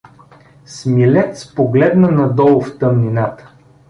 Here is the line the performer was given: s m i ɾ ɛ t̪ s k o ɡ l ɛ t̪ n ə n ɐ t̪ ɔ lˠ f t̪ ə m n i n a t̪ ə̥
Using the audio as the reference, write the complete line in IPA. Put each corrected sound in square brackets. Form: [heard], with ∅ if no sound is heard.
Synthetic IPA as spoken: s m i [l] ɛ t̪ s [p] o ɡ l ɛ [d̪] n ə n ɐ [d̪] ɔ lˠ f t̪ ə m n i n a t̪ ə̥